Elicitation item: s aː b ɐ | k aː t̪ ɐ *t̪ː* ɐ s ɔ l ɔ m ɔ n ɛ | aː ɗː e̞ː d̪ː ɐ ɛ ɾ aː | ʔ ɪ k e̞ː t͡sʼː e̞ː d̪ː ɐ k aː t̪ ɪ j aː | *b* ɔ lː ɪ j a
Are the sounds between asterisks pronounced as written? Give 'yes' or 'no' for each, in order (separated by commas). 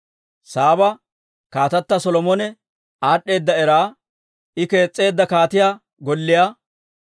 yes, no